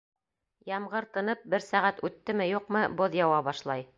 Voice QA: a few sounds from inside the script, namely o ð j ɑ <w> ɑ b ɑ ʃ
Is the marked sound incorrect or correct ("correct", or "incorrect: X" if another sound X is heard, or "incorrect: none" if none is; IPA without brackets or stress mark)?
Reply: correct